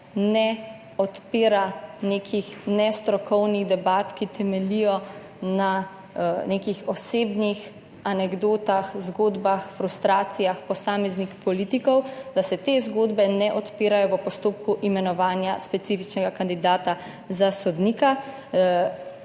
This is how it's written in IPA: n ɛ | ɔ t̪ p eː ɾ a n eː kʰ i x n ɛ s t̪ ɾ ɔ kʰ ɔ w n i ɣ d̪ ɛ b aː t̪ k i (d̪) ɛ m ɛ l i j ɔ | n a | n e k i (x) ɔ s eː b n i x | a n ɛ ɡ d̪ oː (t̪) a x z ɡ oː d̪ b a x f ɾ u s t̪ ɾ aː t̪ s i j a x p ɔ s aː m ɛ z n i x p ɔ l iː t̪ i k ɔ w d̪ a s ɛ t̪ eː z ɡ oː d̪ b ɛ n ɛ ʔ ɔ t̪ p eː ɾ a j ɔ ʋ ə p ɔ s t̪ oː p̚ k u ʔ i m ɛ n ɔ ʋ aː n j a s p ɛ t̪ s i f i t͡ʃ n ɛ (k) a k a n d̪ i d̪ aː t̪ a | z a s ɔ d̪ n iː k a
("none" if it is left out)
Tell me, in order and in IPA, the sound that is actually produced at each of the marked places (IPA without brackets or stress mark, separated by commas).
t̪, x, t̪, ɡ